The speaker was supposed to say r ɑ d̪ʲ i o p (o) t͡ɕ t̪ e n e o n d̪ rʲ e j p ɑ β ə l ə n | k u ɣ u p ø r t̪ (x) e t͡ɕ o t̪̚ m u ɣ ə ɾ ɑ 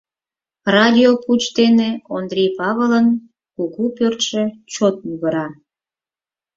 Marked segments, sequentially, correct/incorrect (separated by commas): incorrect, incorrect